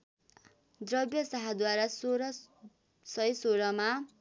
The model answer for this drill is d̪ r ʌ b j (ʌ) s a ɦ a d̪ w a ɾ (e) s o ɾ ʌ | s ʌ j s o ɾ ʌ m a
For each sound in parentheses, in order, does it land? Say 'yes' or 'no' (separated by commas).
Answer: yes, no